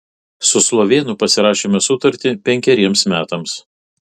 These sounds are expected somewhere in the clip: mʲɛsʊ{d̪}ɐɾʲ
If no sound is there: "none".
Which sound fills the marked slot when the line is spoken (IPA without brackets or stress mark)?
t̪